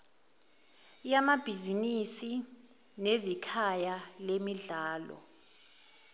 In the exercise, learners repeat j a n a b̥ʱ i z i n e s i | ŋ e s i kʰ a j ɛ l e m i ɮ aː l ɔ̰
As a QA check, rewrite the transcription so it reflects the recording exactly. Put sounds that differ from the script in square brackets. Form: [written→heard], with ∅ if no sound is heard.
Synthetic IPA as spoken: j a [n→m] a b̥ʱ i z i n [e→i] s i | [ŋ→n] e [s→z] i kʰ a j [ɛ→a] l e m i ɮ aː l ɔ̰